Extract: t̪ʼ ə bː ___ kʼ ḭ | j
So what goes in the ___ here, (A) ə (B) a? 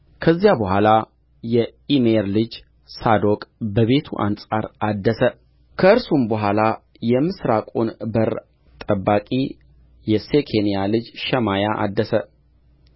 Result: B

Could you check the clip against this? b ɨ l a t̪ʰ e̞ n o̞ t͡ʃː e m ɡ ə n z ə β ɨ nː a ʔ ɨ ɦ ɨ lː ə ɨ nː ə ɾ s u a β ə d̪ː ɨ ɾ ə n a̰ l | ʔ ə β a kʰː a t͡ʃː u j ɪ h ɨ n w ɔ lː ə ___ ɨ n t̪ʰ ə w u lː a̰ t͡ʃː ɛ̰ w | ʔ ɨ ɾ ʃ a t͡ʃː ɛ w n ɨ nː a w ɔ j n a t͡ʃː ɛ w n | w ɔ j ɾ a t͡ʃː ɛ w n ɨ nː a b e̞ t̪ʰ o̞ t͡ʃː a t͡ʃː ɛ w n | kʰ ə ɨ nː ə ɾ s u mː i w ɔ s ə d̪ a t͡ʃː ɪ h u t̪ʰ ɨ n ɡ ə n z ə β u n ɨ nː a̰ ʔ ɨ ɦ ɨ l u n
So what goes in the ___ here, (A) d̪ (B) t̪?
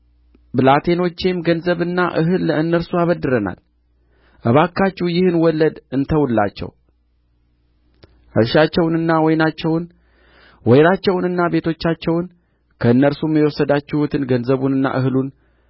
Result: A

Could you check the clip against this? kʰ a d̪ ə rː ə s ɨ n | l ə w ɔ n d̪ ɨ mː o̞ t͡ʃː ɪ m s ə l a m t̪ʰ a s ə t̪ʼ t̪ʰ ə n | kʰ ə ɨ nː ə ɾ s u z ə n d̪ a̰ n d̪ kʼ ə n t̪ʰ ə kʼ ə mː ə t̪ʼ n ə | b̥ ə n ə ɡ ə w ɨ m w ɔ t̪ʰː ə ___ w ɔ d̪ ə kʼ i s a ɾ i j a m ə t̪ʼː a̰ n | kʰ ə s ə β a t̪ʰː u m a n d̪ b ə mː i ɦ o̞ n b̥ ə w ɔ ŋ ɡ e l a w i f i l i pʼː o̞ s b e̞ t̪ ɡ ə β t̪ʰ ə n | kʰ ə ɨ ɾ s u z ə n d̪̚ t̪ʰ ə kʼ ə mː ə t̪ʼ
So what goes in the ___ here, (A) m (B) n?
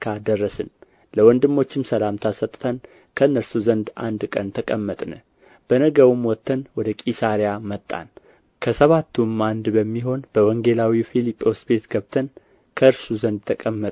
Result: B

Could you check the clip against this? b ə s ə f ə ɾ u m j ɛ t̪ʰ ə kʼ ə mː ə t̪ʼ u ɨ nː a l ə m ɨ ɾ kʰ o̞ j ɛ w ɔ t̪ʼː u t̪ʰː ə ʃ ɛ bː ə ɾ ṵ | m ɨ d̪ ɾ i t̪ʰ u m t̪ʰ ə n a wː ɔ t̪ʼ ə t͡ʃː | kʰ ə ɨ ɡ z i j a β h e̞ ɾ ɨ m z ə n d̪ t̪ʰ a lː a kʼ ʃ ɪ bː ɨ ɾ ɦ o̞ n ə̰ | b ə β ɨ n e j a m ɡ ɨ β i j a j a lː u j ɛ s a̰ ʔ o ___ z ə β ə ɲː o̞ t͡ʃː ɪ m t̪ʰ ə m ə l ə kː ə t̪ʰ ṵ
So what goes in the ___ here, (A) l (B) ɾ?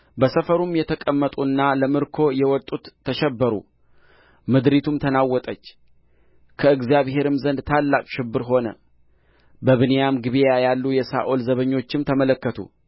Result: A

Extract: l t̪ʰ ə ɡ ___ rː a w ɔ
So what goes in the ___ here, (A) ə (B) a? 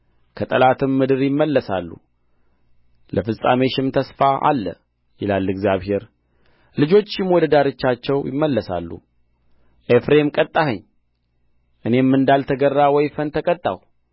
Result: A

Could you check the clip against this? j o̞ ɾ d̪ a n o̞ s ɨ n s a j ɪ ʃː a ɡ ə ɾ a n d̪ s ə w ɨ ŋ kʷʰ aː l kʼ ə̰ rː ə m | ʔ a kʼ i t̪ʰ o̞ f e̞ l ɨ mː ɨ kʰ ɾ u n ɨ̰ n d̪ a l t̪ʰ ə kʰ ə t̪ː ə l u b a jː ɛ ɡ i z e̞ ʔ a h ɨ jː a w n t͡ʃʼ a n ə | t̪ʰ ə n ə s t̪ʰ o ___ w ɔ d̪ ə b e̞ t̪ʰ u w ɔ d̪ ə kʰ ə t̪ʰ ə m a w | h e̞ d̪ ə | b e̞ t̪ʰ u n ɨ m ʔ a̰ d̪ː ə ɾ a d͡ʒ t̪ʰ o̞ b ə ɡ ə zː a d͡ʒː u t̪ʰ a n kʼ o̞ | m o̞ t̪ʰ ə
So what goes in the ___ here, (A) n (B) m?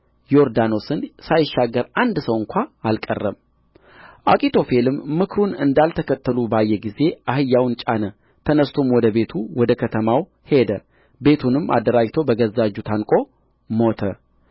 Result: B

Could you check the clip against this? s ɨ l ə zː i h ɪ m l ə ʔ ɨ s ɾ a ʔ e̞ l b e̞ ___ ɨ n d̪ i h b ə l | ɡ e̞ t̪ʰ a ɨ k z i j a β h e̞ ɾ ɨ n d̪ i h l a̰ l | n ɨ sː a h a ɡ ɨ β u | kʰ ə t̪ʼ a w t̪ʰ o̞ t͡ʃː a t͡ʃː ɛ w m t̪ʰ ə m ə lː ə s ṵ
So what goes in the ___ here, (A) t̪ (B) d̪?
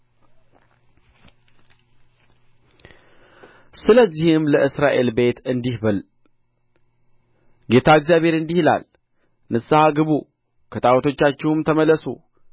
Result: A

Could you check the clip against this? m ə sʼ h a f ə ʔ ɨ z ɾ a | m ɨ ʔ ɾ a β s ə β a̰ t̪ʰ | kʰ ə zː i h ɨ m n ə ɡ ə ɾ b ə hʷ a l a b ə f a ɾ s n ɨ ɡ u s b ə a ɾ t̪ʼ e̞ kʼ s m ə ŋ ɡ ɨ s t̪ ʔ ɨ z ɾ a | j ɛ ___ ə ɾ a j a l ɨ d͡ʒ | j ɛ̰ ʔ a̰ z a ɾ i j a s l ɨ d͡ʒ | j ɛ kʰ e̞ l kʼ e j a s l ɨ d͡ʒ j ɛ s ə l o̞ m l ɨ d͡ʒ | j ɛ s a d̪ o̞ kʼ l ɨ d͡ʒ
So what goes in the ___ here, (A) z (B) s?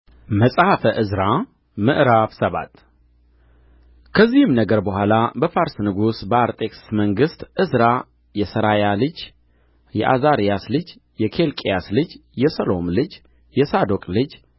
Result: B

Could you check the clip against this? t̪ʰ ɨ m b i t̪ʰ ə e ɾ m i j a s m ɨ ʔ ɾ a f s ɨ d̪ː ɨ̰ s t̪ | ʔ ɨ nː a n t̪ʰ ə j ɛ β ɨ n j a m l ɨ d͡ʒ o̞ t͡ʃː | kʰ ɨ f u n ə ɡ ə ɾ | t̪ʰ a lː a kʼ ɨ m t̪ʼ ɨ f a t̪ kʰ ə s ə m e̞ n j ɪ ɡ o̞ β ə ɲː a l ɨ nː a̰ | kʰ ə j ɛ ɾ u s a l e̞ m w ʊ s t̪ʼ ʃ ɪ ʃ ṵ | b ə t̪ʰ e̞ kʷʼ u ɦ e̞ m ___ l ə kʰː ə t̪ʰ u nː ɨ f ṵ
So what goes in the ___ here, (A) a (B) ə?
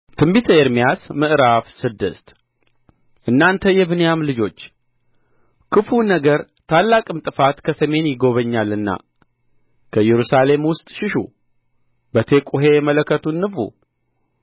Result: B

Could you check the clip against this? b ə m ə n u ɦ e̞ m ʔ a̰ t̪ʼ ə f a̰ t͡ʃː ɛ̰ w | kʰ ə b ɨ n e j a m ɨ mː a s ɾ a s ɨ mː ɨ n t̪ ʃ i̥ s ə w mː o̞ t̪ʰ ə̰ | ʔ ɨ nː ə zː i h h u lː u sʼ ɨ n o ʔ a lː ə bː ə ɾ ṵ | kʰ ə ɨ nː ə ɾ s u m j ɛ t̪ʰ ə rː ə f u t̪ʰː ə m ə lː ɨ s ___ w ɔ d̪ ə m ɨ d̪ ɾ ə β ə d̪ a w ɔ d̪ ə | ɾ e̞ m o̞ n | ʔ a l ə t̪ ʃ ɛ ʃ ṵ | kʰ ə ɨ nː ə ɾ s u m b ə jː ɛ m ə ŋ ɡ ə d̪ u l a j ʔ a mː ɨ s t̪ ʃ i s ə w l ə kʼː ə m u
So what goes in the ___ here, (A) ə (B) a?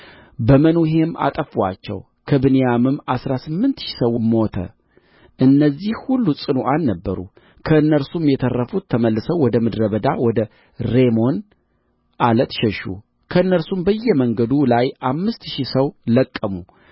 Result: A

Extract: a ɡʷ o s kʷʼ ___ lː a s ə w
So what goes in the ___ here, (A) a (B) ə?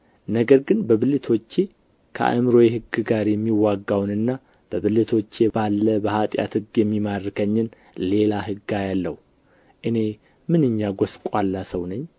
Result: A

